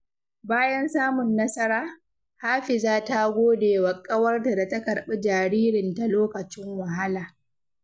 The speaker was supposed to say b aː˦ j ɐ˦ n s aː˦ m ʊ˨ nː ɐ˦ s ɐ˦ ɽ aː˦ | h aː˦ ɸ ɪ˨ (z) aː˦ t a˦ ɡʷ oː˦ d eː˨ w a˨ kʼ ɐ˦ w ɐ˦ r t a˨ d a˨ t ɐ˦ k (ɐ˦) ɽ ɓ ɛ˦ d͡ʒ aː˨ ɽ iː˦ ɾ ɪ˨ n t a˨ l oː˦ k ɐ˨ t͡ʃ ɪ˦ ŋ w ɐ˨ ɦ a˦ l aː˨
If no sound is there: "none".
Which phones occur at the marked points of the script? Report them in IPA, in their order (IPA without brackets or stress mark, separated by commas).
z, ɐ˨